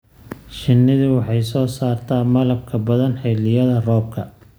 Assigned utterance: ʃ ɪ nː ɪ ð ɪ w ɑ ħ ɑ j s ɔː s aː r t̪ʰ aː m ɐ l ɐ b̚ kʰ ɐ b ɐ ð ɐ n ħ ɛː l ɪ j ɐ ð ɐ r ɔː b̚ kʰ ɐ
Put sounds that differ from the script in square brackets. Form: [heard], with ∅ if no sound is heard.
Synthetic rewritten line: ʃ ɪ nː ɪ ð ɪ w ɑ ħ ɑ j s ɔː s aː r t̪ʰ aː m ɐ l ɐ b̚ kʰ ɐ b ɐ ð ɐ n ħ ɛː l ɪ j ɐ ð ɐ r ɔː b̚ kʰ ɐ